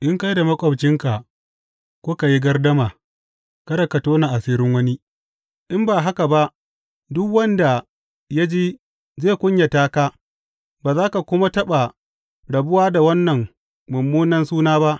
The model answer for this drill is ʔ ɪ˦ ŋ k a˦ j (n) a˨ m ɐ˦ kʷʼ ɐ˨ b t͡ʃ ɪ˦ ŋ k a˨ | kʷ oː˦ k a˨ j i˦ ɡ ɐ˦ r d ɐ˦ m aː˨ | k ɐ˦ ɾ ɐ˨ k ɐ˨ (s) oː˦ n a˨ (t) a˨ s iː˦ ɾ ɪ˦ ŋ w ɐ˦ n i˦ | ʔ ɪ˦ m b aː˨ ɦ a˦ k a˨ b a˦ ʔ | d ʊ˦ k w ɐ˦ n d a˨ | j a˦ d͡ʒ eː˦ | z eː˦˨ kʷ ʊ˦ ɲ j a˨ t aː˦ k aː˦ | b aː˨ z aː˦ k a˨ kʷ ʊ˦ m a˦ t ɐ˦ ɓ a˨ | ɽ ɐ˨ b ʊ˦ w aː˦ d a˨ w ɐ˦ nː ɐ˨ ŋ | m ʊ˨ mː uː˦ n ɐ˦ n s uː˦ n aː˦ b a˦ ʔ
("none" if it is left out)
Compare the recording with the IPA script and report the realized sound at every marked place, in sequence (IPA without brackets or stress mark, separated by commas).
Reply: d, t, ʔ